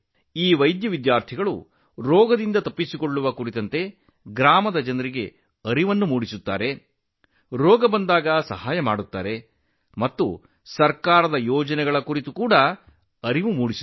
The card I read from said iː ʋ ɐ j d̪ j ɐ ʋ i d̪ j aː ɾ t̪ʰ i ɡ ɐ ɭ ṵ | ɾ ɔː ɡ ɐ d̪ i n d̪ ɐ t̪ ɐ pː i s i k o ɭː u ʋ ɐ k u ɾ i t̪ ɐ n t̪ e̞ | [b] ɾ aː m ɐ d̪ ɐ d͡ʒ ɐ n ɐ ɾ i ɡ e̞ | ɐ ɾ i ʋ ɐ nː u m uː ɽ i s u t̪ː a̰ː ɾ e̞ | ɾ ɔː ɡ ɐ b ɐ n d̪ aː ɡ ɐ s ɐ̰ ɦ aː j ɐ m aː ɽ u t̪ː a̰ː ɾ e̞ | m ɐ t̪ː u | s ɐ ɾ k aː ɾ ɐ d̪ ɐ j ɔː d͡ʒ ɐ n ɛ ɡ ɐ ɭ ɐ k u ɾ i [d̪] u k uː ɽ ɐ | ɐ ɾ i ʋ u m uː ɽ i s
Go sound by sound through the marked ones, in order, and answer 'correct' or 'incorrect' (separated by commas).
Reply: incorrect, incorrect